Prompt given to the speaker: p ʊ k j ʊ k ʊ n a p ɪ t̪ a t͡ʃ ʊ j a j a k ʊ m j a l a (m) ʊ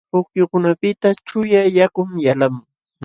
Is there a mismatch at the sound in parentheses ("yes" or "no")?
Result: no